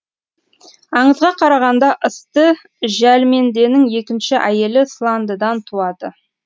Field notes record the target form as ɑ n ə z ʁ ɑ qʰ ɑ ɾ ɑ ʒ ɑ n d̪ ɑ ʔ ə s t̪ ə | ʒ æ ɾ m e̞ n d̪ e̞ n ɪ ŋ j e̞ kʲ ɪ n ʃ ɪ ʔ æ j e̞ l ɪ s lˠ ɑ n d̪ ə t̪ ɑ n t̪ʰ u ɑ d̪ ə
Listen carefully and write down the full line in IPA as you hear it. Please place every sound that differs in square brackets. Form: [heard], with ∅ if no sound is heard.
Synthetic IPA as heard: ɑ [ɴ] ə z ʁ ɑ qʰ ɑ ɾ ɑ [ʁ] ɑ n d̪ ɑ ʔ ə s t̪ ə | ʒ æ [l] m e̞ n d̪ e̞ n ɪ ŋ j e̞ kʲ ɪ n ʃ ɪ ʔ æ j e̞ l ɪ s lˠ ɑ n d̪ ə [d̪] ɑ n t̪ʰ u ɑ d̪ ə